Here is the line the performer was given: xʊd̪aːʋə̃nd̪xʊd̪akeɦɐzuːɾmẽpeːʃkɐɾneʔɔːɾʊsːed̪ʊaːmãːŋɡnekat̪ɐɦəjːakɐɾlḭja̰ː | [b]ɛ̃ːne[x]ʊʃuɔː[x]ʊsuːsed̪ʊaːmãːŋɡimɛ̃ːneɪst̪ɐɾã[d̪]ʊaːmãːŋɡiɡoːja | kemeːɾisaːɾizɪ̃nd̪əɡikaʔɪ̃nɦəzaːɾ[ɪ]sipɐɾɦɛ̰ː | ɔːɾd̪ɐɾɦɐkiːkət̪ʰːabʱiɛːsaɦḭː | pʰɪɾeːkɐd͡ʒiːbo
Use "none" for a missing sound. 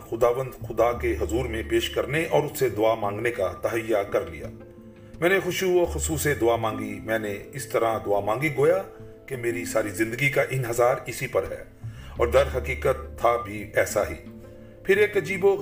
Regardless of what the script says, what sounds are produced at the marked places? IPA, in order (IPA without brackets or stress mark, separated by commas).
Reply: m, x, x, d̪, ɪ